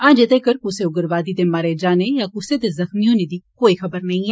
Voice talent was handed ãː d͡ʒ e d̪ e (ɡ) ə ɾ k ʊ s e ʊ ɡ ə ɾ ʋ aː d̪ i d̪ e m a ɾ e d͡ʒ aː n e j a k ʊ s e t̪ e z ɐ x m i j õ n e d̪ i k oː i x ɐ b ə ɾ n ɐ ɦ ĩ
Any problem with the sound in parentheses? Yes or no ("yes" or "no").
yes